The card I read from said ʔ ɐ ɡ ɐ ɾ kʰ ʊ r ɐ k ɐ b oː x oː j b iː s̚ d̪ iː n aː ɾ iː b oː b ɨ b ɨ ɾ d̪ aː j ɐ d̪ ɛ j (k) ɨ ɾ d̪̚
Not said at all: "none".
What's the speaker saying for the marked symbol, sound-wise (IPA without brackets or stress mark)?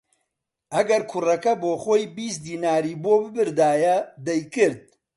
k